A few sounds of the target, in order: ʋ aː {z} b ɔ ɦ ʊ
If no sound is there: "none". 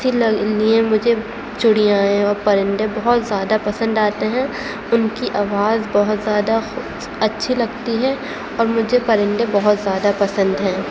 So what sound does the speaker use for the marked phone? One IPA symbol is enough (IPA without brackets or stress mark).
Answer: z